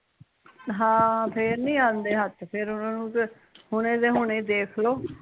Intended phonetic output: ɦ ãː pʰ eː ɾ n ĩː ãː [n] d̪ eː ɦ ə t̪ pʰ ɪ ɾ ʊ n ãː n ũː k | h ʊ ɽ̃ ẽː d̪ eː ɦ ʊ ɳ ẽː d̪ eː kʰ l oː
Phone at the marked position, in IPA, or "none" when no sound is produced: n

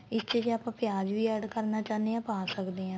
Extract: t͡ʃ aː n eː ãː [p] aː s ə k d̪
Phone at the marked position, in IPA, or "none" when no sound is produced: p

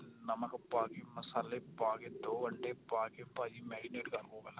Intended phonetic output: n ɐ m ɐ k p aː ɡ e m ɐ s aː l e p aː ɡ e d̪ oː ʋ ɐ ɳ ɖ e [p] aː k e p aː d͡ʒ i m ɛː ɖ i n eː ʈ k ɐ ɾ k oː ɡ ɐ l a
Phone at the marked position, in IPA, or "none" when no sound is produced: p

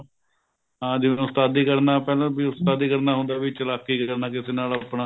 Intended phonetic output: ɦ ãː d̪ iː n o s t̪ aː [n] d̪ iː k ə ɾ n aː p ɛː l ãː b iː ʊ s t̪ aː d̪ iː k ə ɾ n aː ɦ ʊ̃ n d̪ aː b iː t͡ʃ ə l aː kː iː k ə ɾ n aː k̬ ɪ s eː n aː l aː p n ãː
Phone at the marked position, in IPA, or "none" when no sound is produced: none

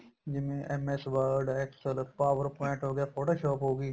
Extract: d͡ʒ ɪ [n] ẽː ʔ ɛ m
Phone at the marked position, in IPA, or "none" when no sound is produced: m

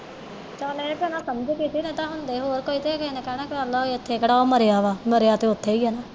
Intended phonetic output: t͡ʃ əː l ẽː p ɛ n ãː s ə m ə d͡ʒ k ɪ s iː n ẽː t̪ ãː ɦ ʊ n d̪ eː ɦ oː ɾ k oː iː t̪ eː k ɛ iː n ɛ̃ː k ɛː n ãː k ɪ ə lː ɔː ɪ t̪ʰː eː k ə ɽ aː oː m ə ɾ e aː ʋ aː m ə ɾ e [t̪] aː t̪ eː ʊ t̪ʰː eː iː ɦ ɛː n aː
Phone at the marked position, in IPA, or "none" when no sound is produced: none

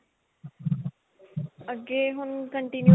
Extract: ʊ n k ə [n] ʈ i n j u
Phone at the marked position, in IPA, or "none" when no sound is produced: ɳ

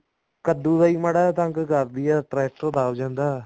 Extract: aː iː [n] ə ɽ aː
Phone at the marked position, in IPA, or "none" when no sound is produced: m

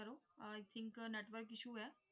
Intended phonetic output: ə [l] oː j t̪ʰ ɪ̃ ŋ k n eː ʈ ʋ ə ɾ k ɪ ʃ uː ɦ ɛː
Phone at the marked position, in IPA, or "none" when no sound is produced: ɾ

